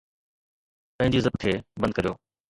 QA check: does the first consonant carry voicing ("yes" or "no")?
no